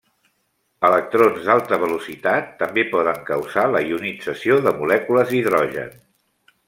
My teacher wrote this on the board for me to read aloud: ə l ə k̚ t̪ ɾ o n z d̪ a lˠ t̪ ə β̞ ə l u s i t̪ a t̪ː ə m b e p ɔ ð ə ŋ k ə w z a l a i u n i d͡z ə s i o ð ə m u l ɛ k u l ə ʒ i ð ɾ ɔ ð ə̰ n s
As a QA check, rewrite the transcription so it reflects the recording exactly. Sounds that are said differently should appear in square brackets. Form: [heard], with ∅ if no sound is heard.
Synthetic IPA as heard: ə l ə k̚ t̪ ɾ o n z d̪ a lˠ t̪ ə β̞ ə l u s i t̪ a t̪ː ə m b e p ɔ ð ə ŋ k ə w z a l [ə] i u n i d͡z ə s i o ð ə m u l ɛ k u l ə [z] i ð ɾ ɔ [ʒ] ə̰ n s